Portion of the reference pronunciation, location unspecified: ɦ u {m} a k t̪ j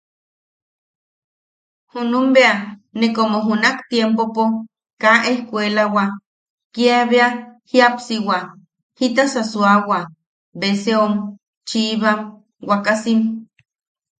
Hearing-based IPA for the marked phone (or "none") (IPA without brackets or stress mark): n